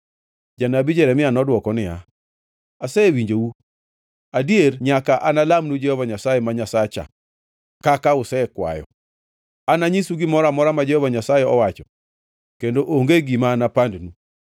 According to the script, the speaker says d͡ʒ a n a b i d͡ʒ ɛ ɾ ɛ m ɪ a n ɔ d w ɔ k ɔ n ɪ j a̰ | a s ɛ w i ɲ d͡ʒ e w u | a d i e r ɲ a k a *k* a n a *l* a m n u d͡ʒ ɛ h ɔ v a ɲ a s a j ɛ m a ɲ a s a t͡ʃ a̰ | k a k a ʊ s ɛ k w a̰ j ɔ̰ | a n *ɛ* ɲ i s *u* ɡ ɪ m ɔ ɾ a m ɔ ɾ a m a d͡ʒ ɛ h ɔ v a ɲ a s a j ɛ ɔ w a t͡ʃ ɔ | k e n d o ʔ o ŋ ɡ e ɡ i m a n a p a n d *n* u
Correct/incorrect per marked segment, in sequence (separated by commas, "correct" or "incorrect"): incorrect, correct, incorrect, correct, correct